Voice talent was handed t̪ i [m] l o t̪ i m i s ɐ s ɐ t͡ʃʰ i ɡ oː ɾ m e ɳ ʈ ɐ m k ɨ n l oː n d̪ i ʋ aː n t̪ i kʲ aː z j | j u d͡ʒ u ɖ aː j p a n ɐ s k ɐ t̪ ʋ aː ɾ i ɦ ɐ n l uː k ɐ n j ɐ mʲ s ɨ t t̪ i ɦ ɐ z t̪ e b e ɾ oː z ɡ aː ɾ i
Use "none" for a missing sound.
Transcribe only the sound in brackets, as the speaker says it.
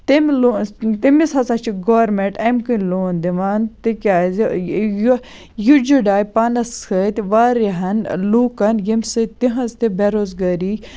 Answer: m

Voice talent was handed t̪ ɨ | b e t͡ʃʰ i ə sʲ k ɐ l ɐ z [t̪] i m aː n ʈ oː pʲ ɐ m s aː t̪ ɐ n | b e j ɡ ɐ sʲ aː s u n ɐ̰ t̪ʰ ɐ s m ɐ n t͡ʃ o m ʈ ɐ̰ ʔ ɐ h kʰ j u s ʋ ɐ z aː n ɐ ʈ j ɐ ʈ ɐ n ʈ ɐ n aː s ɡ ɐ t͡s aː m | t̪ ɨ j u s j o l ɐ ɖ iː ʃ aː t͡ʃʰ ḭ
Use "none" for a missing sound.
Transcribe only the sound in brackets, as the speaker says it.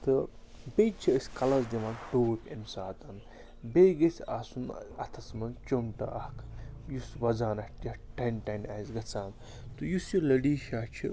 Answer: d̪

